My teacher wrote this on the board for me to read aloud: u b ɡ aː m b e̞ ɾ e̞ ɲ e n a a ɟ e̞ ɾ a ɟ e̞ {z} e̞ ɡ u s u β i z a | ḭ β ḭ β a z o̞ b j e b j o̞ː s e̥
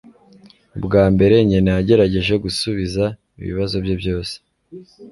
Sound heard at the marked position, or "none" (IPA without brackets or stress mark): ʒ